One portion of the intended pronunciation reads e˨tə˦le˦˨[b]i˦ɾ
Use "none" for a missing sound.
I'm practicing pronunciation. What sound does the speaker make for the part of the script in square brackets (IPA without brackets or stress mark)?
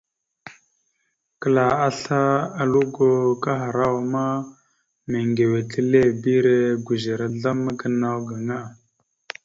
b